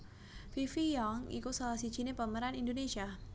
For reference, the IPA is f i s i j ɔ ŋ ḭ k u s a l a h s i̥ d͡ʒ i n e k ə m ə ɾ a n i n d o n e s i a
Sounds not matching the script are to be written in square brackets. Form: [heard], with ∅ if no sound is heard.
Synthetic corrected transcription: f i [f] i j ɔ ŋ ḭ k u s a l a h s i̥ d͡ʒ i n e [p] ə m ə ɾ a n i n d o n e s i a